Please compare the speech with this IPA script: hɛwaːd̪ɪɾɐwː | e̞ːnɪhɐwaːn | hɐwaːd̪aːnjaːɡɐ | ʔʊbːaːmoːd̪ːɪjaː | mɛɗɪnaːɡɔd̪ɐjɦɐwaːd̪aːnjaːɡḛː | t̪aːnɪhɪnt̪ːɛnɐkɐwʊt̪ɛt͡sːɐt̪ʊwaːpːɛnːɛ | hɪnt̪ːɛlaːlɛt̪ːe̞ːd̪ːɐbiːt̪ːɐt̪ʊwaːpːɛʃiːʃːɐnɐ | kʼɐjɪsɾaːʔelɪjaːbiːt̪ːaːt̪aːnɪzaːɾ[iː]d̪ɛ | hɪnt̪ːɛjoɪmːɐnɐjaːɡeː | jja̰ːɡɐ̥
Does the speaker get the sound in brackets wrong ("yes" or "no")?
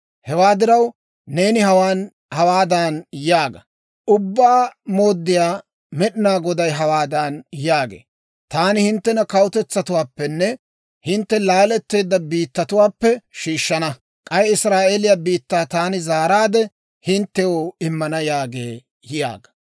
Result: yes